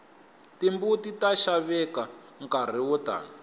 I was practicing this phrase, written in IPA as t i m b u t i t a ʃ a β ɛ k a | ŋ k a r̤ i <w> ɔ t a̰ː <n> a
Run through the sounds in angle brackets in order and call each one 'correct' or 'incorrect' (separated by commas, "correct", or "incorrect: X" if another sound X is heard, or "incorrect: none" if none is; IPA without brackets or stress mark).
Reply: correct, correct